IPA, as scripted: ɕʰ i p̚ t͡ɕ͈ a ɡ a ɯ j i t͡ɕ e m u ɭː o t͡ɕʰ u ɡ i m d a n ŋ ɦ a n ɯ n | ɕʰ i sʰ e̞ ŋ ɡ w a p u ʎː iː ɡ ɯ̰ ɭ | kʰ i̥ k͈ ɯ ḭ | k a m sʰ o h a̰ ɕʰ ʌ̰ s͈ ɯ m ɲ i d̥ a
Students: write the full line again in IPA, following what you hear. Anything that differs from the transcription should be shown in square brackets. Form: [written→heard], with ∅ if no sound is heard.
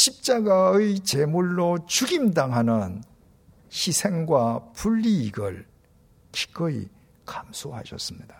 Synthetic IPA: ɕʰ i p̚ t͡ɕ͈ a ɡ a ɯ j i t͡ɕ e m u ɭː o [t͡ɕʰ→t͡ɕ] u ɡ i m d a [n→∅] ŋ ɦ a n ɯ n | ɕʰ i sʰ e̞ ŋ ɡ w a p u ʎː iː ɡ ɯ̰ ɭ | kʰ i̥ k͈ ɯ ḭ | k a m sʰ o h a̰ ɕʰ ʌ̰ s͈ ɯ m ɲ i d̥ a